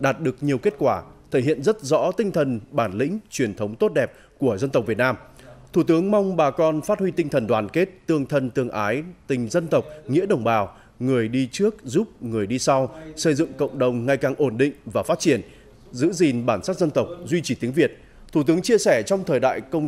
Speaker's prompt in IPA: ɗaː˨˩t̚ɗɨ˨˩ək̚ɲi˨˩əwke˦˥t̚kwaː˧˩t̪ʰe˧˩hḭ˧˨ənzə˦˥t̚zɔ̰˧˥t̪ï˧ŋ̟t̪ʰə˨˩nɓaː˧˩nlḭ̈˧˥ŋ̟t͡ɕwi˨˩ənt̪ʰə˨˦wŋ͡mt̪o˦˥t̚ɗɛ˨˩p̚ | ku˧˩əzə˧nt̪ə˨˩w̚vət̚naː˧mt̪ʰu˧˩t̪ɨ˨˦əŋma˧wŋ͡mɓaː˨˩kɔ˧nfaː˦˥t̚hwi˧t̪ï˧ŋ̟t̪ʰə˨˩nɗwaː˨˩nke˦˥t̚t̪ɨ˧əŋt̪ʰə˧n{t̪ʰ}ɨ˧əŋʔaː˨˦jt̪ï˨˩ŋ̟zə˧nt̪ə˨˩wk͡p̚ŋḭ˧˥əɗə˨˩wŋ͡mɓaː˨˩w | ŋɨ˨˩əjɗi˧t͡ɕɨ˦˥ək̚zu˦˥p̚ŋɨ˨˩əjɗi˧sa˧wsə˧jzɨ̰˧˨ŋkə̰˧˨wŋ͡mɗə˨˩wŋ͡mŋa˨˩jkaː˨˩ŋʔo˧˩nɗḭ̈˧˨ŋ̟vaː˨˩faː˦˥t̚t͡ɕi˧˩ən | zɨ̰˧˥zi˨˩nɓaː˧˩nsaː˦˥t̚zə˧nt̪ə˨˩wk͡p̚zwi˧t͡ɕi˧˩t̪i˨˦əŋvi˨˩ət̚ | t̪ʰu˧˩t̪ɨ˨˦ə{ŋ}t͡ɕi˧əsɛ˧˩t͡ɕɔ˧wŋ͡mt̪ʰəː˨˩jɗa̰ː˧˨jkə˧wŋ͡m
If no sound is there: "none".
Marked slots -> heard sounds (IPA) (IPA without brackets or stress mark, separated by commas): t̪, ŋ